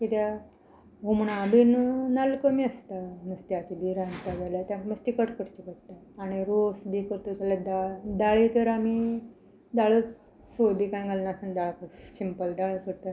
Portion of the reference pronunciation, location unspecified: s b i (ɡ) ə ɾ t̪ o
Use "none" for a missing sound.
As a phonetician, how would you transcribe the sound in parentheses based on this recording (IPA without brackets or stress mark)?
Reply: k